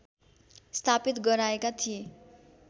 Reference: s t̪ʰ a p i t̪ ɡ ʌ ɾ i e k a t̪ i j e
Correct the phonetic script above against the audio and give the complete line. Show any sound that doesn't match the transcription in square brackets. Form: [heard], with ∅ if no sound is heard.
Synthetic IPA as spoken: s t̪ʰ a p i t̪ ɡ ʌ ɾ [a] e k a [t̪ʰ] i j e